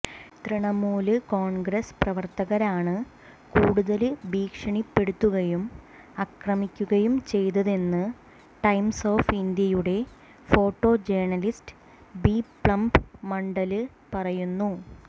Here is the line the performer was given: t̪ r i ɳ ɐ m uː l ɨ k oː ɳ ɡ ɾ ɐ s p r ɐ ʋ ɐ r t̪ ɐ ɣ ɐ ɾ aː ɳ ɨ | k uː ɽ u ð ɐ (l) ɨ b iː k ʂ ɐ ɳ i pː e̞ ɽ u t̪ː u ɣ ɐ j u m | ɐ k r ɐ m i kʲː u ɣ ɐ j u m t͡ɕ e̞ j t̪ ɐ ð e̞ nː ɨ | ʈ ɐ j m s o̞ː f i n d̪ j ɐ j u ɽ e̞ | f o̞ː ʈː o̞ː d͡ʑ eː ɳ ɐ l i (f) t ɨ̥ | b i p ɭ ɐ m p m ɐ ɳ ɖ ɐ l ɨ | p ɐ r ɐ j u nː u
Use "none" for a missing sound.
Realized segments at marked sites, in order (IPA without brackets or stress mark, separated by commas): l, s